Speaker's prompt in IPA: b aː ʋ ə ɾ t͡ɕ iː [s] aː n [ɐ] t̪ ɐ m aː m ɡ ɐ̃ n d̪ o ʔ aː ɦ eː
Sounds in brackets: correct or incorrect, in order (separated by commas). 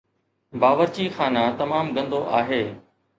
incorrect, incorrect